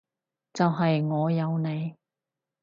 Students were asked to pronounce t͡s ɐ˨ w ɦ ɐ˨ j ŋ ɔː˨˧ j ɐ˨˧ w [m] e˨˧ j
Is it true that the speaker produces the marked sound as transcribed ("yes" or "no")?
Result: no